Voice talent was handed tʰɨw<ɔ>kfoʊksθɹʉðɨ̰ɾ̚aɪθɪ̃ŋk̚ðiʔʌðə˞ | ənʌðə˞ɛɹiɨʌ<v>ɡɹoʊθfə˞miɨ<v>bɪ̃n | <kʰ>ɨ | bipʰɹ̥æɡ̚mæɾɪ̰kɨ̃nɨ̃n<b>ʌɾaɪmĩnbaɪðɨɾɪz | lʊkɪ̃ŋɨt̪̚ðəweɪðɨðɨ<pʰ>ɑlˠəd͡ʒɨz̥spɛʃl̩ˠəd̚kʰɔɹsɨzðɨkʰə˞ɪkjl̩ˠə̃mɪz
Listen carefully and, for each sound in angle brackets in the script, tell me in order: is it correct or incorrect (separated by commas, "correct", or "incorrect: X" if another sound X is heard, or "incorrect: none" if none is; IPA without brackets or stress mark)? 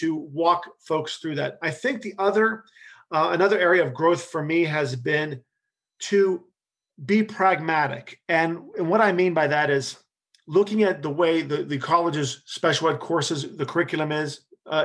correct, correct, incorrect: z, incorrect: tʰ, incorrect: w, incorrect: kʰ